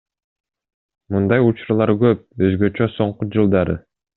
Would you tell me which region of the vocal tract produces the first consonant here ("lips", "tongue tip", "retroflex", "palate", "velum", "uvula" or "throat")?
lips